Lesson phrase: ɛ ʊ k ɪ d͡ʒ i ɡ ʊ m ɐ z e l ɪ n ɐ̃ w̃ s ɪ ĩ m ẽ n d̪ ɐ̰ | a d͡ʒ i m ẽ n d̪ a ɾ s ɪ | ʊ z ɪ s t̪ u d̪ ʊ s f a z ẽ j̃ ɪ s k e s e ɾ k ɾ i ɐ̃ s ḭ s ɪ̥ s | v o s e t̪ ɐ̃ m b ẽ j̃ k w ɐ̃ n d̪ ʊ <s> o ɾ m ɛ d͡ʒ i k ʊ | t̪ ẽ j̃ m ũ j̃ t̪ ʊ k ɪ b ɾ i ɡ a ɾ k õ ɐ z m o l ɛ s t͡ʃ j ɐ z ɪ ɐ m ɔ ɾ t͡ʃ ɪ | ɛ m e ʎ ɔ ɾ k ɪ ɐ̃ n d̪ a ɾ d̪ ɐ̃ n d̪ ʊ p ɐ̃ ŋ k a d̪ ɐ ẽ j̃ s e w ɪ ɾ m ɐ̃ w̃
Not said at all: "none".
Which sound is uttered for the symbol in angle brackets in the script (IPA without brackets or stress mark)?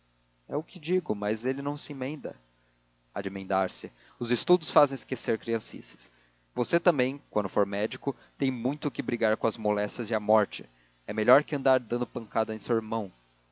f